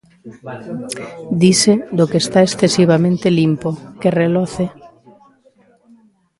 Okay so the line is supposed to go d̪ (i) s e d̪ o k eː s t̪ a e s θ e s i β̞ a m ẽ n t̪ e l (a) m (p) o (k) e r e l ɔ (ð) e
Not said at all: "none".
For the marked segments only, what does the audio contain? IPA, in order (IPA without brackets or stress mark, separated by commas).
i, i, p, k, θ